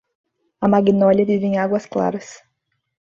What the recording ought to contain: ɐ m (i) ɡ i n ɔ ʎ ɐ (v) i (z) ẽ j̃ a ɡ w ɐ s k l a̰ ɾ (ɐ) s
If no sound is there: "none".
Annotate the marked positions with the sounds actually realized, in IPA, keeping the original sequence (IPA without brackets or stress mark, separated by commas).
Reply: a, v, v, ɐ